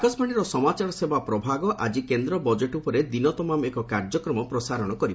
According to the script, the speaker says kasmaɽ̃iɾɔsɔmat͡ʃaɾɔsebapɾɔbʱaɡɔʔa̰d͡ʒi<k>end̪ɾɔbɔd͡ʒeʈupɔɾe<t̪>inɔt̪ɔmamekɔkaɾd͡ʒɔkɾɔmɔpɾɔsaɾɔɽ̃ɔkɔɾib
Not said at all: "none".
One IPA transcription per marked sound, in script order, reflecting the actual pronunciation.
k, d̪

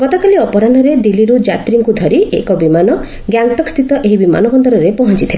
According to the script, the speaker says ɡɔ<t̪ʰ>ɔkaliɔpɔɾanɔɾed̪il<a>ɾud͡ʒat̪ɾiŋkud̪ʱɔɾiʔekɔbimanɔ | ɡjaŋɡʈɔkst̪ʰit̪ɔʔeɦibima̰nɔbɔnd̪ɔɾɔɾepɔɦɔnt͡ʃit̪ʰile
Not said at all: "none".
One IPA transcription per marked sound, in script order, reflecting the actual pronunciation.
t̪, i

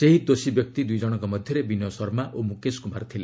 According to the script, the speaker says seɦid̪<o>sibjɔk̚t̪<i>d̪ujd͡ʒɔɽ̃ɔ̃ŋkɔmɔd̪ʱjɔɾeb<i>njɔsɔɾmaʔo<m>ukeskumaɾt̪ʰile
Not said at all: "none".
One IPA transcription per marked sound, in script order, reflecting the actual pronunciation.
o, i, i, m

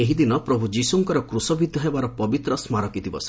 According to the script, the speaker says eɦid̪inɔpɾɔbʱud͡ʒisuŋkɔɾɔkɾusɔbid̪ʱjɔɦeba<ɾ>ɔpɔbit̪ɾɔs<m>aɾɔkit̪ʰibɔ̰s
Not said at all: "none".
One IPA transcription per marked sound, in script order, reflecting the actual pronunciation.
ɾ, m

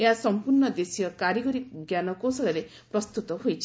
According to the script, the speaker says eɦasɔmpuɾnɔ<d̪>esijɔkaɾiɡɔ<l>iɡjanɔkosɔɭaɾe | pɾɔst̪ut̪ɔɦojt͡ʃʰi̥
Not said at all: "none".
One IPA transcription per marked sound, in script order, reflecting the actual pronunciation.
d̪, ɾ

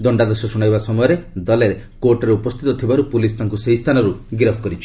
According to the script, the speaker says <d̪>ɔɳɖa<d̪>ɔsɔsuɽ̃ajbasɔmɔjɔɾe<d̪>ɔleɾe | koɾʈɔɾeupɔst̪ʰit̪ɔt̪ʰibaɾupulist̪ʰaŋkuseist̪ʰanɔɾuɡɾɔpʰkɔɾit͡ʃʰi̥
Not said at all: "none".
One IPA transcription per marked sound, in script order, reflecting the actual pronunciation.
d̪, d̪, d̪

